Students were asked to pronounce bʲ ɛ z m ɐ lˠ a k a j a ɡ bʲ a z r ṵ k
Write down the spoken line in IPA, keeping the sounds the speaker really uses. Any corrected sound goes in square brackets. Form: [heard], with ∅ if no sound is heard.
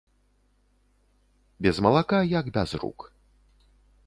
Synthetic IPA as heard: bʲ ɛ z m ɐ lˠ a k a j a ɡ bʲ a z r ṵ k

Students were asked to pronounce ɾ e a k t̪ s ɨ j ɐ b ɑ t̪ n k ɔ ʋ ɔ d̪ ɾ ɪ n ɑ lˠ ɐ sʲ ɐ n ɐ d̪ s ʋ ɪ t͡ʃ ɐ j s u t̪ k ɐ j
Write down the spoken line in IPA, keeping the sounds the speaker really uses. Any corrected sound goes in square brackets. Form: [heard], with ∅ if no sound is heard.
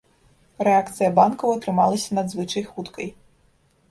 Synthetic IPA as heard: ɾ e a k t̪ s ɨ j ɐ b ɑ [∅] n k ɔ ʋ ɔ [t̪] ɾ ɪ [m] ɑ lˠ ɐ sʲ ɐ n ɐ d̪ [z] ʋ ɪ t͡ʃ ɐ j [x] u t̪ k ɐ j

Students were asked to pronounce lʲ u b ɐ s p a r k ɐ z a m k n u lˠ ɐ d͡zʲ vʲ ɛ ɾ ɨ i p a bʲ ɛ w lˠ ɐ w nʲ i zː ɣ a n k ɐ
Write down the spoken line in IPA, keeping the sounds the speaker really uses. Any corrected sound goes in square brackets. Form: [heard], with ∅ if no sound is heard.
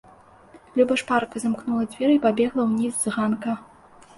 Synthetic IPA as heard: lʲ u b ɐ [ʂ] p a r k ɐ z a m k n u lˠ ɐ d͡zʲ vʲ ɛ ɾ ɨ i p a bʲ ɛ [ɣ] lˠ ɐ w nʲ i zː ɣ a n k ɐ

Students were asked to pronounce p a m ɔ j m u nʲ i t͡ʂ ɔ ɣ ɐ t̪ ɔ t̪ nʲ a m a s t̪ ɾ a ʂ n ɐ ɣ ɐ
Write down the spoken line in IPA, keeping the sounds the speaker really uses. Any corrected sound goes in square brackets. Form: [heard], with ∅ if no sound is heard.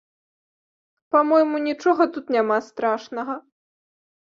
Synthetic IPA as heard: p a m ɔ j m u nʲ i t͡ʂ ɔ ɣ ɐ t̪ [u] t̪ nʲ a m a s t̪ ɾ a ʂ n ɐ ɣ ɐ

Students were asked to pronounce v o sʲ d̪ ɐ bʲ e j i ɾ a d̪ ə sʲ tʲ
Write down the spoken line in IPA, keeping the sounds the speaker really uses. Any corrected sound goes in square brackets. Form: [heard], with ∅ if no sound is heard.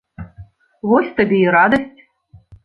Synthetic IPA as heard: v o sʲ [t̪] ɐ bʲ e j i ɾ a d̪ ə sʲ tʲ

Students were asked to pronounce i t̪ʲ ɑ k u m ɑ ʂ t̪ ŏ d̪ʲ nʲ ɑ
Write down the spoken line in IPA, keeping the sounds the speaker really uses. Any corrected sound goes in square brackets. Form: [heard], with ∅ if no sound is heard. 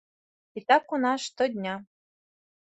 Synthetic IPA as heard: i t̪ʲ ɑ k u [n] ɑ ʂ t̪ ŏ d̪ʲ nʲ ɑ

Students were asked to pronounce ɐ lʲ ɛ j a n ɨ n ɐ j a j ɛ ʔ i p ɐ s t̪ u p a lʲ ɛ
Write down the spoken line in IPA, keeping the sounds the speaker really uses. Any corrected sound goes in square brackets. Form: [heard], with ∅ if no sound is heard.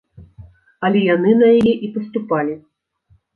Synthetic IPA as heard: ɐ lʲ ɛ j a n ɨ n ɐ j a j ɛ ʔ i p ɐ s t̪ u p a lʲ [i]

